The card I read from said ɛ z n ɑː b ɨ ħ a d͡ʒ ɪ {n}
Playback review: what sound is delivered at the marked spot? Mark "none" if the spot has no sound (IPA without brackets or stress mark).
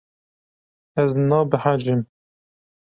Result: m